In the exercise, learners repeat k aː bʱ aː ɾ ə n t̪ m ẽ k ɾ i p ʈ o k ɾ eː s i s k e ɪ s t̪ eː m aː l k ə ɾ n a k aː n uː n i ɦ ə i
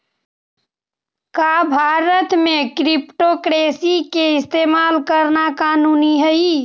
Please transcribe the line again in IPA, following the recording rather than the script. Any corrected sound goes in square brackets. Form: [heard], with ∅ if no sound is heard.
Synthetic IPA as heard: k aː bʱ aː ɾ ə [∅] t̪ m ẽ k ɾ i p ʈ o k ɾ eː s i [∅] k e ɪ s t̪ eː m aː l k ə ɾ n a k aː n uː n i ɦ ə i